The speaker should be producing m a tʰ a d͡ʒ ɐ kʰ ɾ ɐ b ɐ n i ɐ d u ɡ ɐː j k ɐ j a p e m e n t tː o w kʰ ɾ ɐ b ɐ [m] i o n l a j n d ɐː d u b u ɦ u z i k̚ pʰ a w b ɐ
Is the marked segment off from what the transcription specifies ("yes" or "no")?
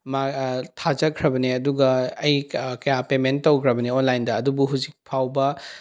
yes